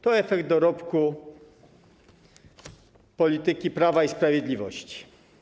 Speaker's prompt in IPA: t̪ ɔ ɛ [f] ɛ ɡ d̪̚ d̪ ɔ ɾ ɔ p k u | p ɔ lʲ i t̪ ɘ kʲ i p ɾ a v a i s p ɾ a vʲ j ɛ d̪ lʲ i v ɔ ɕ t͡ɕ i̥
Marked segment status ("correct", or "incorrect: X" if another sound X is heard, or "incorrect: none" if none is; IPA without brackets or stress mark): correct